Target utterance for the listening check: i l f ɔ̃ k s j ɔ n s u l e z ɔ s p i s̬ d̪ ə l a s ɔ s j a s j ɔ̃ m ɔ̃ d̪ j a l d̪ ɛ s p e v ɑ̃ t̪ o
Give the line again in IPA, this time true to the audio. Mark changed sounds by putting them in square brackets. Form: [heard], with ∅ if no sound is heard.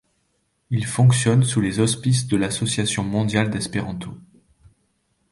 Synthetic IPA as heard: i l f ɔ̃ k s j ɔ n s u l e z ɔ s p i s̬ d̪ ə l a s ɔ s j a s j ɔ̃ m ɔ̃ d̪ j a l d̪ ɛ s p e [ʁ] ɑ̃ t̪ o